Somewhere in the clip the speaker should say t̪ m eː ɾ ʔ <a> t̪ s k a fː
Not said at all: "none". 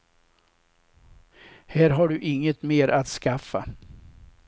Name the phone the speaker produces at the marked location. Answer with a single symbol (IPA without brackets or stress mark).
a